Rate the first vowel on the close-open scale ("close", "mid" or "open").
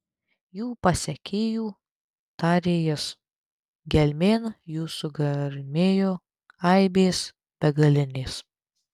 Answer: close